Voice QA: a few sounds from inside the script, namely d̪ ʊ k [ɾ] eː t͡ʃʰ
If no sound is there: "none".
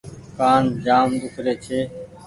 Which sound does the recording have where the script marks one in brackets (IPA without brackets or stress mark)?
ɾ